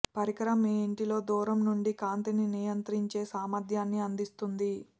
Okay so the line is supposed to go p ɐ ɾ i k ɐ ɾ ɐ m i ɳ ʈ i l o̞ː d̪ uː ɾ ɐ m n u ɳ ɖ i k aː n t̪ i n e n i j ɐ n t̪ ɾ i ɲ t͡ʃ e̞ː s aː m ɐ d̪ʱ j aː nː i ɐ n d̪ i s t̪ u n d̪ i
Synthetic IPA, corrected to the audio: p ɐ ɾ i k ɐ ɾ ɐ m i ɳ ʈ i l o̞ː d̪ uː ɾ ɐ m n u ɳ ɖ i k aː n t̪ i n i n i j ɐ n t̪ ɾ i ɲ t͡ʃ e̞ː s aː m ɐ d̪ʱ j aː nː i ɐ n d̪ i s t̪ u n d̪ i